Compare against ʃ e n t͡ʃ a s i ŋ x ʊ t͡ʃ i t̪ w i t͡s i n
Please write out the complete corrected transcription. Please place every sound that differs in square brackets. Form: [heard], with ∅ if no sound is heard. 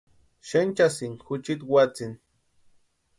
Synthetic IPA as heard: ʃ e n t͡ʃ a s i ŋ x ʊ t͡ʃ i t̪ w [a] t͡s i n